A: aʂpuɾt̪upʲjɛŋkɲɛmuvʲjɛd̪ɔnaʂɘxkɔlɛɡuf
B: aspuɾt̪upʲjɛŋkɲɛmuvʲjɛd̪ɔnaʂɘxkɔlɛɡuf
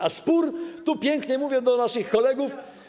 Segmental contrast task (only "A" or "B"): B